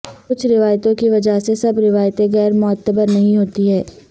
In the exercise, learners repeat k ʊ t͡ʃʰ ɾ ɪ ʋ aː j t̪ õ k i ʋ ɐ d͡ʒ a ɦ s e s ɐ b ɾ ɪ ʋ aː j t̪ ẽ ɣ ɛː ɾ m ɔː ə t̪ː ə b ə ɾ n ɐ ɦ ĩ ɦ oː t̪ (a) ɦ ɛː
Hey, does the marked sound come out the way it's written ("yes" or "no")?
no